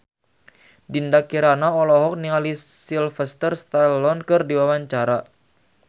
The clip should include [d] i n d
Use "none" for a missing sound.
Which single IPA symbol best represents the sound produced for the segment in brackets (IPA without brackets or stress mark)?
d